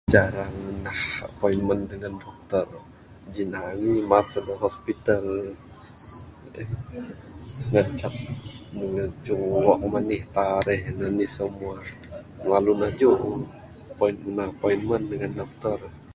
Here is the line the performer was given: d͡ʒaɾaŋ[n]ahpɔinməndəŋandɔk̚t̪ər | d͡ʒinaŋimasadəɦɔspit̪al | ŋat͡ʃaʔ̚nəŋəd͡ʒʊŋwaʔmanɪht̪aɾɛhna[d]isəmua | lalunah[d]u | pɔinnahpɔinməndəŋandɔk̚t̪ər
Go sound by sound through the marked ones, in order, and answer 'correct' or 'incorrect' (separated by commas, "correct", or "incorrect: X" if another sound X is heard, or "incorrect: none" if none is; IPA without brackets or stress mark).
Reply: correct, incorrect: n, incorrect: d͡ʒ